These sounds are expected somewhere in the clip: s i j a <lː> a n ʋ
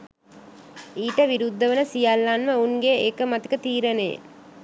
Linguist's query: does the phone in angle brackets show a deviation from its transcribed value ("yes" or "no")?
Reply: no